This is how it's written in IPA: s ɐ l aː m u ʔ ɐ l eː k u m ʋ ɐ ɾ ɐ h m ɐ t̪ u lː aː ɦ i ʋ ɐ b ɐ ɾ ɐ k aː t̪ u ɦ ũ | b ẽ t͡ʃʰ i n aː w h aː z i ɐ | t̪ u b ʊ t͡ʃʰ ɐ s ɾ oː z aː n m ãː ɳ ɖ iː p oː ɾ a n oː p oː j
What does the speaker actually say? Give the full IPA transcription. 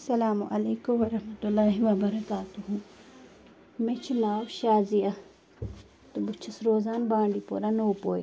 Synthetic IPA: s ɐ l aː m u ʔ ɐ l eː k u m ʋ ɐ ɾ ɐ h m ɐ t̪ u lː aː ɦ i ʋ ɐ b ɐ ɾ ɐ k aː t̪ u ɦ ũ | m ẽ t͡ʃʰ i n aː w ʃ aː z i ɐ | t̪ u b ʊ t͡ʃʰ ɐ s ɾ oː z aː n b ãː ɳ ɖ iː p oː ɾ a n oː p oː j

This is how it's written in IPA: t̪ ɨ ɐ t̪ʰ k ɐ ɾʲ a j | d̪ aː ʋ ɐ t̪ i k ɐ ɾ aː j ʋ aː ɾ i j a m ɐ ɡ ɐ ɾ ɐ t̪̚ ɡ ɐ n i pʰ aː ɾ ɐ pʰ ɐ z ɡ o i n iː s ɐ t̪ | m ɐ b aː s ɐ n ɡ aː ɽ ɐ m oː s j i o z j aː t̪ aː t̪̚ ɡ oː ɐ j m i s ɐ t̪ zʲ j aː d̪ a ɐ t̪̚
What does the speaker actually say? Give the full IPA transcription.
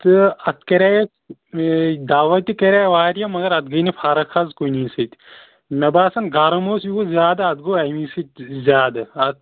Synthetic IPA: t̪ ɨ ɐ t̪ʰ k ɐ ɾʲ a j | d̪ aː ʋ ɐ t̪ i k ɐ ɾ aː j ʋ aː ɾ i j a m ɐ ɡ ɐ ɾ ɐ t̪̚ ɡ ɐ n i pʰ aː ɾ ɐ kʰ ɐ z k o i n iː s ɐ t̪ | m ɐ b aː s ɐ n ɡ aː ɾ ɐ m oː s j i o z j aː d̪ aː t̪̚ ɡ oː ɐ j m i s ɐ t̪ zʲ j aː d̪ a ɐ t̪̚

